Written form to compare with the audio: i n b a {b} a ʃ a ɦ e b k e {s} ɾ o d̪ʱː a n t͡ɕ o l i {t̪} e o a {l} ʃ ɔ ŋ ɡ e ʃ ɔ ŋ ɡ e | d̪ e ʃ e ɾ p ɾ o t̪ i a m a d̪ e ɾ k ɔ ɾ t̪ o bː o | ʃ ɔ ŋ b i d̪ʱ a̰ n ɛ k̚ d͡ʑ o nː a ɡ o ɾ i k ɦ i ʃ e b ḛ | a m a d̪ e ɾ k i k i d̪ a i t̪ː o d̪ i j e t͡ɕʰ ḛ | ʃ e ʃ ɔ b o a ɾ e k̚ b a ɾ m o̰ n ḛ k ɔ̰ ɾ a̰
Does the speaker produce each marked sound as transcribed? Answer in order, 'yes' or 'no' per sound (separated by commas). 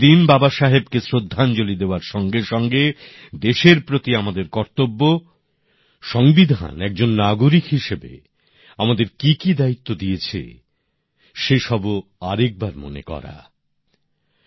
yes, yes, no, no